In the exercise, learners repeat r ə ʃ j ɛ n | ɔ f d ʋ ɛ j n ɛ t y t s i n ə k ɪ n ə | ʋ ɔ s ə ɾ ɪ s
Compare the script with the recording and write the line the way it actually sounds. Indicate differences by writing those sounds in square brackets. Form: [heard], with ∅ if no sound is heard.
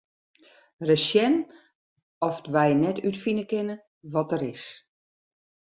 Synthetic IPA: r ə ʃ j ɛ n | ɔ f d ʋ ɛ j n ɛ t y t [f] i n ə k ɪ n ə | ʋ ɔ [t] ə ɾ ɪ s